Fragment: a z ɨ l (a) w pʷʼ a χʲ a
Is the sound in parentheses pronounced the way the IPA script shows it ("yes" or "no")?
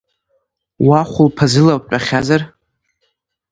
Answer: yes